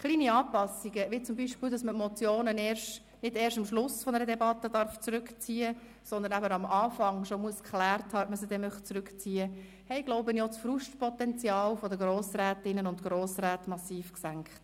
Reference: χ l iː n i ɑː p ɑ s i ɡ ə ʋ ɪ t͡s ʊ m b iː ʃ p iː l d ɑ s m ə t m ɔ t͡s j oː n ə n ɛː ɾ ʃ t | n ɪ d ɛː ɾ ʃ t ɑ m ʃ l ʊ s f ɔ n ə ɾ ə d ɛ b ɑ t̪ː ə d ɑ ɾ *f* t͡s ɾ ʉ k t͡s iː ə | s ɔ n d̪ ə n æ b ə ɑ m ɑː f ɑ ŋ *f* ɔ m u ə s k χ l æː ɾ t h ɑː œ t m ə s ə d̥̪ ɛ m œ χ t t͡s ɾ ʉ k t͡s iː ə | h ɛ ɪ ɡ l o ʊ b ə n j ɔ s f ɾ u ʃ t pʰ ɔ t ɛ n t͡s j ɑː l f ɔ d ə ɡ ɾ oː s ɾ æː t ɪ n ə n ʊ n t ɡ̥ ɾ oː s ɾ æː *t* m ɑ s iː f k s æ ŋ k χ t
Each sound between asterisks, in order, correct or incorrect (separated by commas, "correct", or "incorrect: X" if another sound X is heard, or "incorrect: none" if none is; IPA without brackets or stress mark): correct, incorrect: ʃ, correct